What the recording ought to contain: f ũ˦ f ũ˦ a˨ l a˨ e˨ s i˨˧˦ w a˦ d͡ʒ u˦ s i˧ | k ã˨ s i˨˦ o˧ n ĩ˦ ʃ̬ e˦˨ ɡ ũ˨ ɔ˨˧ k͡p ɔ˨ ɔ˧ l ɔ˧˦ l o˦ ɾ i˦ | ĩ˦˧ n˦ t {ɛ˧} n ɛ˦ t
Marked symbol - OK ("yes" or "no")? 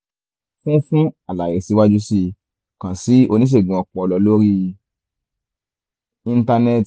no